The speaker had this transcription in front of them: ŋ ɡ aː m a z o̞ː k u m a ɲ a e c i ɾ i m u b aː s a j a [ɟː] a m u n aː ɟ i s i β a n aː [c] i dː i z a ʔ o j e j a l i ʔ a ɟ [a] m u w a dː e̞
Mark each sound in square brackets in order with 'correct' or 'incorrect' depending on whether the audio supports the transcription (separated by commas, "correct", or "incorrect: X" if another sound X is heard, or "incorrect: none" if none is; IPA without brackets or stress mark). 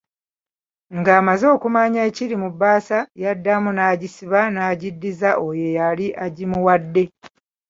incorrect: dː, incorrect: ɟ, incorrect: i